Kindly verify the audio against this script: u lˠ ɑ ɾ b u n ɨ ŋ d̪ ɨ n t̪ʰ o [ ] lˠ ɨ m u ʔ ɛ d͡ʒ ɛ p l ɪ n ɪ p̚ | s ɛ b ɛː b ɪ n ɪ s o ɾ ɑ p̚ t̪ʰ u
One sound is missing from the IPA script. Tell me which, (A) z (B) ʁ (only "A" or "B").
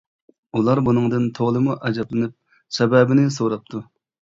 B